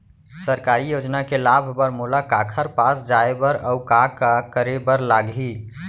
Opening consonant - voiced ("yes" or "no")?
no